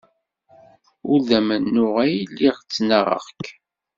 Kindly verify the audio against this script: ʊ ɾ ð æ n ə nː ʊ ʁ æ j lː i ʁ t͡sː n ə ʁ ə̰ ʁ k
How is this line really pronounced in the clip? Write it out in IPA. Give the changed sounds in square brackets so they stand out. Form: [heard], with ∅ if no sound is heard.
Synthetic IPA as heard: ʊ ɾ ð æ [m] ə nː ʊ ʁ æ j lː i ʁ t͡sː n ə ʁ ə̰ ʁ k

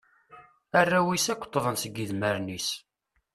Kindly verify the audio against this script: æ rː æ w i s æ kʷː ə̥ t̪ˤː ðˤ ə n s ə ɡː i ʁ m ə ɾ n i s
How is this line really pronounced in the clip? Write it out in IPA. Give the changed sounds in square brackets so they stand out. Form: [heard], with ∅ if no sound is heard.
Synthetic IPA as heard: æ rː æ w i s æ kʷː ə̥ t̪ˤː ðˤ ə n s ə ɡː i [ð] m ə ɾ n i s

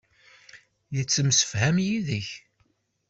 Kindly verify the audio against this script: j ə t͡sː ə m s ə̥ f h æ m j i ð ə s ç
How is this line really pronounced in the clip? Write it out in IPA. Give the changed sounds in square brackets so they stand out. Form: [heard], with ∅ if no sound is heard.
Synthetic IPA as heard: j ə t͡sː ə m s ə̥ f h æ m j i ð ə [∅] ç

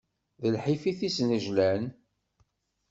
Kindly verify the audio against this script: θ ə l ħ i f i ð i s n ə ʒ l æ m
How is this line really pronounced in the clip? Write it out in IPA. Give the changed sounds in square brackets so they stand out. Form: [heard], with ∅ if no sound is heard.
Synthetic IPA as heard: [ð] ə l ħ i f i [θ] i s n ə ʒ l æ [n]

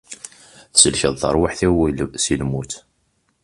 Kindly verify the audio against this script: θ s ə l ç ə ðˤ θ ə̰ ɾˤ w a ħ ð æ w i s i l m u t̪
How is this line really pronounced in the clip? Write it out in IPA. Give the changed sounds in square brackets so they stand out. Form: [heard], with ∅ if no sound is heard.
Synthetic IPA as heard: θ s ə l ç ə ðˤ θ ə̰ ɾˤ w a ħ [θ] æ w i s i l m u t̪

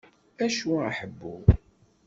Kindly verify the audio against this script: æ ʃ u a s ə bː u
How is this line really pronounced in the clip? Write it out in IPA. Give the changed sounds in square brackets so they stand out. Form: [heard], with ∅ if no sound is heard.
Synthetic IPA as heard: æ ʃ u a [ħ] ə bː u

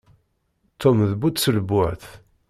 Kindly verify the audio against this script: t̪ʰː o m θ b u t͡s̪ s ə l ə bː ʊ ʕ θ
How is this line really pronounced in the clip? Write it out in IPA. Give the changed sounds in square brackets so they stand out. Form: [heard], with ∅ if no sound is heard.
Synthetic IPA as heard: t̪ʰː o m [ð] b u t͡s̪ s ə l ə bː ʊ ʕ θ

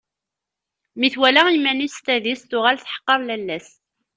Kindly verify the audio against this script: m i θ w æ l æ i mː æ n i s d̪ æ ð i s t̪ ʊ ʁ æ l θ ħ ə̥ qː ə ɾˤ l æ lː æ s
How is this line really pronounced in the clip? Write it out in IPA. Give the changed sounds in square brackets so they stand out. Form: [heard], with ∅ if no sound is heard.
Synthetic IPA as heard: m i θ w æ l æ i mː æ n i s [t̪] æ ð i s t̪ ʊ ʁ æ l θ ħ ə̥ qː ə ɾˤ l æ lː æ s

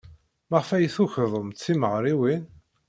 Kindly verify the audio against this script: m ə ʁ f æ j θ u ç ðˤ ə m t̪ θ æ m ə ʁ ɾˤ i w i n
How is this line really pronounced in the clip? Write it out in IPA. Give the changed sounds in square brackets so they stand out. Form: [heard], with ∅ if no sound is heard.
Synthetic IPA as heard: m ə ʁ f æ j θ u ç ðˤ ə m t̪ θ [i] m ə ʁ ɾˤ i w i n

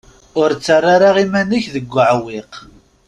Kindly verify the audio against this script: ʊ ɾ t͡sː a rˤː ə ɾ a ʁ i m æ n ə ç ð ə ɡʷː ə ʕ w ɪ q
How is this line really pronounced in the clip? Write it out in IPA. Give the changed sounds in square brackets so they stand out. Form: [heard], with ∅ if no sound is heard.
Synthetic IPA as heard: ʊ ɾ t͡sː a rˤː [a] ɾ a ʁ i m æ n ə ç ð ə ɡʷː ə ʕ w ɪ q

